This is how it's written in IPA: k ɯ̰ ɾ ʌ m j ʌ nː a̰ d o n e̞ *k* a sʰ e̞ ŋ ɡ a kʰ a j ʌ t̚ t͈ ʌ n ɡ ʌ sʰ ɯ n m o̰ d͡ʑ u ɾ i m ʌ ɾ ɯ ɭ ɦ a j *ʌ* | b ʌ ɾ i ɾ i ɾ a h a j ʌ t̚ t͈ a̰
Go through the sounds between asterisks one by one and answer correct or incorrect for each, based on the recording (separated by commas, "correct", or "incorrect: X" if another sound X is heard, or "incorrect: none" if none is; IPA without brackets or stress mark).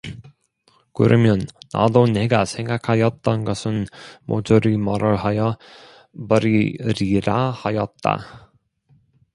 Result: incorrect: ɡ, correct